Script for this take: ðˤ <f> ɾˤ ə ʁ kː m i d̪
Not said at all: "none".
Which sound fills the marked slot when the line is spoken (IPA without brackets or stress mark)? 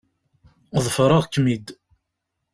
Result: f